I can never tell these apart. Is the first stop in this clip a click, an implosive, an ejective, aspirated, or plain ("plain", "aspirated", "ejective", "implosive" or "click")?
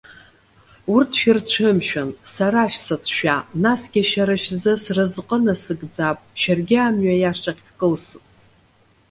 aspirated